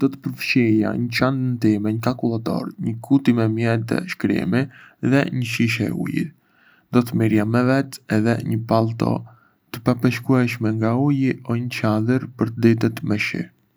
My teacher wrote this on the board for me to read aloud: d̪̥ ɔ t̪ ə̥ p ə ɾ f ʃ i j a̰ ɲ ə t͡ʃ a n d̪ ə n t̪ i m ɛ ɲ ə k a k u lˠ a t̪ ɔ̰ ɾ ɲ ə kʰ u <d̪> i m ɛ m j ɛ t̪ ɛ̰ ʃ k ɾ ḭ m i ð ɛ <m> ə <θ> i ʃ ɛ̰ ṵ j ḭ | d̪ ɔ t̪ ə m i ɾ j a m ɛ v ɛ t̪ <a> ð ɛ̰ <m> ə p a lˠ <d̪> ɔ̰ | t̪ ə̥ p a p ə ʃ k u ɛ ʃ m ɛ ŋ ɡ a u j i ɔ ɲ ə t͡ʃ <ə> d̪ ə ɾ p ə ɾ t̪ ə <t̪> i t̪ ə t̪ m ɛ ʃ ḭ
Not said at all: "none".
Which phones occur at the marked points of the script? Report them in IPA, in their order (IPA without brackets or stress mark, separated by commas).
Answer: t̪, ɲ, ʃ, ɛ, ɲ, t̪, a, d̪